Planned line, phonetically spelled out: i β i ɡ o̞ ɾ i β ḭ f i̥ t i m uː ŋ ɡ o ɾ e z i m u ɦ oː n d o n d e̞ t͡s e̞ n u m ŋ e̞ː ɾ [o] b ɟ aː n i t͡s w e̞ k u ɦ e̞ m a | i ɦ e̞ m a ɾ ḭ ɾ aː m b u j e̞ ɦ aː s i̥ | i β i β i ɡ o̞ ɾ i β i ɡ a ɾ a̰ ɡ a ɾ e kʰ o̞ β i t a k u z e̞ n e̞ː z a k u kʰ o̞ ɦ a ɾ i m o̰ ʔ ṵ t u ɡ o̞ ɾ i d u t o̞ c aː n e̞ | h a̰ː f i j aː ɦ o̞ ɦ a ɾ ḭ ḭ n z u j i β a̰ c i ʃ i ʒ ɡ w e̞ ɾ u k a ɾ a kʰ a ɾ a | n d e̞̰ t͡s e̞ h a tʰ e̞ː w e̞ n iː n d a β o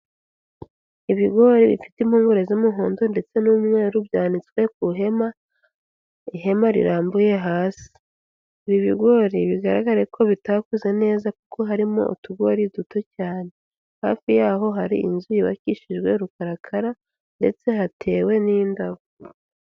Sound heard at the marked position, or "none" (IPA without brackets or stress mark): u